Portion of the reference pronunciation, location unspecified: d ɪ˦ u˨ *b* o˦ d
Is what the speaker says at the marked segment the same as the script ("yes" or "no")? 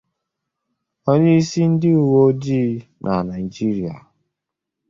no